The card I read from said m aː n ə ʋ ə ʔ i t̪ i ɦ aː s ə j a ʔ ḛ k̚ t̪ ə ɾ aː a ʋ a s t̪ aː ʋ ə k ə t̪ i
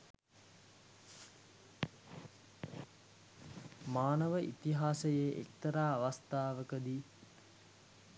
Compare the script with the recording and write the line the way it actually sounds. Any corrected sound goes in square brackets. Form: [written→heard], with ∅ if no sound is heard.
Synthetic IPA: m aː n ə ʋ ə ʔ i t̪ i ɦ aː s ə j [a→e] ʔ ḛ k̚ t̪ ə ɾ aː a ʋ a s t̪ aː ʋ ə k ə [t̪→d̪] i